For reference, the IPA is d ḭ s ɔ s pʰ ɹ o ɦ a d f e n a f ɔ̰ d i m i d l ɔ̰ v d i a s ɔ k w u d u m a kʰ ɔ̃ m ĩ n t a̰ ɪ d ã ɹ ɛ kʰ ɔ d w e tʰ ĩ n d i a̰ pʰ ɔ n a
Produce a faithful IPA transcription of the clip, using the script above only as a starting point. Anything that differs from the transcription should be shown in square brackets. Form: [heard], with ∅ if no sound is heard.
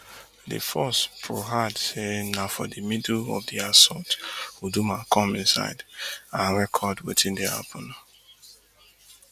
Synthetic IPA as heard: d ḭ [f] ɔ s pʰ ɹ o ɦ a d [s] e n a f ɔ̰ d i m i d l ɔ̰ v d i a s ɔ [t] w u d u m a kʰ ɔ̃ m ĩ n [s] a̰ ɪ d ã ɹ ɛ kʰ ɔ d w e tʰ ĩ n d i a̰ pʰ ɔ n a